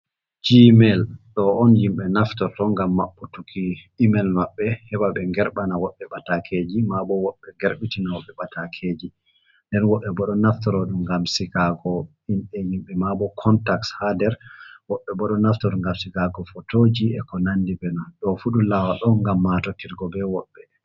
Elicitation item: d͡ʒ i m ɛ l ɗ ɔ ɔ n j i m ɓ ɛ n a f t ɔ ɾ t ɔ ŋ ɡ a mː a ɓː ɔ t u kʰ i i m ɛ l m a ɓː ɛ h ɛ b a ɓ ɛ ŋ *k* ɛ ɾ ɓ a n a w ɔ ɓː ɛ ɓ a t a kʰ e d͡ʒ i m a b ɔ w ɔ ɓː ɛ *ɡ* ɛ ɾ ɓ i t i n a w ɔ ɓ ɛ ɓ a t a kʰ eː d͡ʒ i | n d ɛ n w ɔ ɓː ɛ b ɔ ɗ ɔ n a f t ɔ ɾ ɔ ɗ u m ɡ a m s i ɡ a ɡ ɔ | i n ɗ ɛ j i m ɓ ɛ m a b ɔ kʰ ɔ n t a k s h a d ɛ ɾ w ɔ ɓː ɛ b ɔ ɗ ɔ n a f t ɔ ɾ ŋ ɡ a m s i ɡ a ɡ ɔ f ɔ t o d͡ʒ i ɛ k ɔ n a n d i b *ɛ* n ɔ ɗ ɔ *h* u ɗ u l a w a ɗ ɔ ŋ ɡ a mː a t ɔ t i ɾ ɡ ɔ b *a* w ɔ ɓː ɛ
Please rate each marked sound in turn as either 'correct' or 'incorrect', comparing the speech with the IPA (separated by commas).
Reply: incorrect, correct, correct, incorrect, incorrect